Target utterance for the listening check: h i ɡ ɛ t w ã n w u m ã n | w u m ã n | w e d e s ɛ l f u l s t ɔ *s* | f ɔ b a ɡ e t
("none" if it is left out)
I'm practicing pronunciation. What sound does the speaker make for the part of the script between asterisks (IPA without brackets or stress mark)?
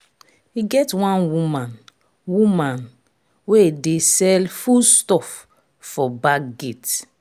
f